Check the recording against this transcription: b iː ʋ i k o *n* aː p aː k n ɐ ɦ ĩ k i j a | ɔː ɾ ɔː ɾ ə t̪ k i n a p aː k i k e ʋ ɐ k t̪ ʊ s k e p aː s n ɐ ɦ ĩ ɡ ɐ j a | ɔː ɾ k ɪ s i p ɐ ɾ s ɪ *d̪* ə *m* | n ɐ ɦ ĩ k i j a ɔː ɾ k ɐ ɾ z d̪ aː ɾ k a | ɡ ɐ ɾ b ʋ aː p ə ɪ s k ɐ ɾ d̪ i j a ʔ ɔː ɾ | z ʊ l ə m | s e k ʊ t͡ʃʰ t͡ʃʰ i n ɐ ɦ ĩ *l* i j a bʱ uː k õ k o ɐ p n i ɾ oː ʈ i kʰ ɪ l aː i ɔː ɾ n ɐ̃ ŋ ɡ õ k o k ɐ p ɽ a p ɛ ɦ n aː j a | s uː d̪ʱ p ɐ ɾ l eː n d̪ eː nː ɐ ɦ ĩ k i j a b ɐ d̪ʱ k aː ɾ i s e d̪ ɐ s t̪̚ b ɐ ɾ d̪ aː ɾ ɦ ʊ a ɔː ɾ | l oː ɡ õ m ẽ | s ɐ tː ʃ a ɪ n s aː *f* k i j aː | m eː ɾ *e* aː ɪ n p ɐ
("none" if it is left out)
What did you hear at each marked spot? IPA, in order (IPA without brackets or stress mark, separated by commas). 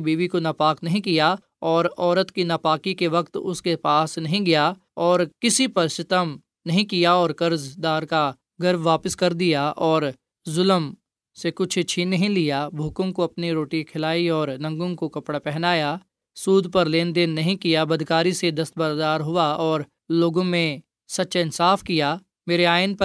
n, t̪, m, l, f, e